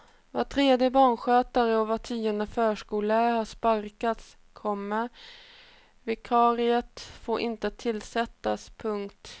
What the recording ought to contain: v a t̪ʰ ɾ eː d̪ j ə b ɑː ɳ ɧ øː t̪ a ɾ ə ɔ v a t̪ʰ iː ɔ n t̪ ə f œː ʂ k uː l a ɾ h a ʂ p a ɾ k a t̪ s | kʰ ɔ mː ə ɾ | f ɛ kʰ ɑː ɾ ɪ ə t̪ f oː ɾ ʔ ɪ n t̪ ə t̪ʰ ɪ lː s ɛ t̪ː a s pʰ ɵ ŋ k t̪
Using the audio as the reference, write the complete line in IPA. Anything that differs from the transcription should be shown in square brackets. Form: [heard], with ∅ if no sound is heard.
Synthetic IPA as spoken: v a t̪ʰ ɾ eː d̪ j ə b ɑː ɳ ɧ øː t̪ a ɾ ə ɔ v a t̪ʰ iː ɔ n [d̪] ə f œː ʂ k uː l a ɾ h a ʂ p a ɾ k a t̪ s | kʰ ɔ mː ə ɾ | [v] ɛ kʰ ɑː ɾ ɪ ə t̪ f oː ɾ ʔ ɪ n t̪ ə t̪ʰ ɪ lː s ɛ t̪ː a s pʰ ɵ ŋ k t̪